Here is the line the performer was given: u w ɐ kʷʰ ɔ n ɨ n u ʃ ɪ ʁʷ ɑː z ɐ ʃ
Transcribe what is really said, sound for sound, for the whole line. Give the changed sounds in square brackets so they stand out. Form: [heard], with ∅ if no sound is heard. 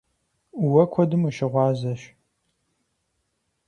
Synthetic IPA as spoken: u w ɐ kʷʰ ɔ [d] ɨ [m] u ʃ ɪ ʁʷ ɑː z ɐ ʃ